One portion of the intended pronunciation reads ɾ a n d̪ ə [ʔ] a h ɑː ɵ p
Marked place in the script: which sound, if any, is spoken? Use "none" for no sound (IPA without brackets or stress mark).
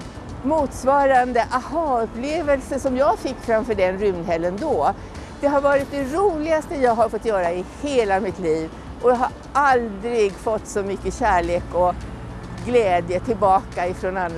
ʔ